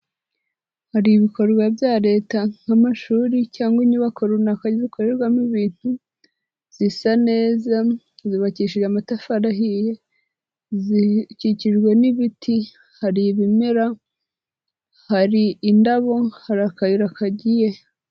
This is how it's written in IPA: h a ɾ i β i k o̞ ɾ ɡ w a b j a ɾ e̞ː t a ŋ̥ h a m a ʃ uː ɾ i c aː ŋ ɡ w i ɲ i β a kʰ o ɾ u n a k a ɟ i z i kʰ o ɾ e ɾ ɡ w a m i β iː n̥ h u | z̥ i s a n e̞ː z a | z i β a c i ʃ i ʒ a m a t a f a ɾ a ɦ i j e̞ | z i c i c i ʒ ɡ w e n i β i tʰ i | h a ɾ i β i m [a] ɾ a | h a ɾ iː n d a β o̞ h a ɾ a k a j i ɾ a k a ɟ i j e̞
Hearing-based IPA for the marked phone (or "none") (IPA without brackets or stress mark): e